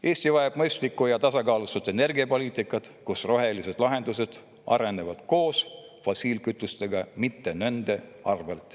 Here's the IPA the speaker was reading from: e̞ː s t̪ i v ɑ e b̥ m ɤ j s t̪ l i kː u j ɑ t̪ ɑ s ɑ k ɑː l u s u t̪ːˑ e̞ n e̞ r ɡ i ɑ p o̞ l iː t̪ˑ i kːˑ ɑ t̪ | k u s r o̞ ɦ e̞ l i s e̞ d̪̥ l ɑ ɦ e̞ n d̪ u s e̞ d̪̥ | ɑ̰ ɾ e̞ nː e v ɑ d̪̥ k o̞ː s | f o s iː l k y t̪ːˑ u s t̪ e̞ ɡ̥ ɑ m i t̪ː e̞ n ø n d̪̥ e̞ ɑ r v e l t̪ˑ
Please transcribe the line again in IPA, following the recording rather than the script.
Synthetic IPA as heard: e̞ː s t̪ i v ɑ e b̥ m ɤ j s t̪ l i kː u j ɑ t̪ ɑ s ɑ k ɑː l u s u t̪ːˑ e̞ n e̞ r ɡ i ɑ p o̞ l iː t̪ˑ i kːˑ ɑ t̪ | k u s r o̞ ɦ e̞ l i s e̞ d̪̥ l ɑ ɦ e̞ n d̪ u s e̞ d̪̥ | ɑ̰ ɾ e̞ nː e v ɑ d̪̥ k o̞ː s | f o s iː l k y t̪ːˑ u s t̪ e̞ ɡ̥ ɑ m i t̪ː e̞ n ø n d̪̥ e̞ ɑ r v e l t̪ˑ